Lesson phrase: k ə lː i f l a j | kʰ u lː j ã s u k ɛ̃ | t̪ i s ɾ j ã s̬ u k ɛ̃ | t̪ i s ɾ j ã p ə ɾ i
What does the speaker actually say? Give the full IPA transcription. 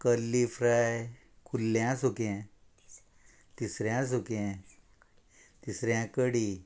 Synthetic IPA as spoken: k ə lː i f ɾ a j | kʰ u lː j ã s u k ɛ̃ | t̪ i s ɾ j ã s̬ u k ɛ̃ | t̪ i s ɾ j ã k ə ɽ i